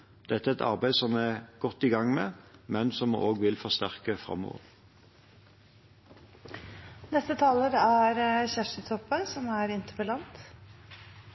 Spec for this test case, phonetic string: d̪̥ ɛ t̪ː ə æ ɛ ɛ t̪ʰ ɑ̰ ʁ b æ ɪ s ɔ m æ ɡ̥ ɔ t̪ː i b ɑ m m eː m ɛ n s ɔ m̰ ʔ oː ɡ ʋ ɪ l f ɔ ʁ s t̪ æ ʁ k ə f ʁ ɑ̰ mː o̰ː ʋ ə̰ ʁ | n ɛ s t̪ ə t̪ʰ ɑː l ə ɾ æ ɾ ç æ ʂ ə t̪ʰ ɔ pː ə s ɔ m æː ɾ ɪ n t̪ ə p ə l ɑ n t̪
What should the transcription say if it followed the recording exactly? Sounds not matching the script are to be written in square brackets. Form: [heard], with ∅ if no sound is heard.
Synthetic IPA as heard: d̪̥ ɛ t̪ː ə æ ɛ ɛ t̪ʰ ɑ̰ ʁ b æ ɪ s ɔ m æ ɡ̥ ɔ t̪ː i [ɡ] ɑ [ŋ] m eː m ɛ n s ɔ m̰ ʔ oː ɡ ʋ ɪ l f ɔ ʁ s t̪ æ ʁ k ə f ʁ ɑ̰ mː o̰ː ʋ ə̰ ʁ | n ɛ s t̪ ə t̪ʰ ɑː l ə ɾ æ ɾ ç æ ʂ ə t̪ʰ ɔ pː ə s ɔ m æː ɾ ɪ n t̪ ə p ə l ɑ n t̪